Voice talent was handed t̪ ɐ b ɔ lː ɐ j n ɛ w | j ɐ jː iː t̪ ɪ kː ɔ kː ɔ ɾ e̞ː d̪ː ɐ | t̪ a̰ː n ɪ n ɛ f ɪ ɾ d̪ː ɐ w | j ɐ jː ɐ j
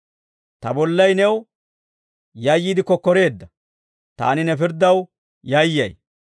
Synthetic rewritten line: t̪ ɐ b ɔ lː ɐ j n ɛ w | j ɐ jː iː d̪ ɪ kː ɔ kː ɔ ɾ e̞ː d̪ː ɐ | t̪ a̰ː n ɪ n ɛ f ɪ ɾ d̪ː ɐ w | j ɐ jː ɐ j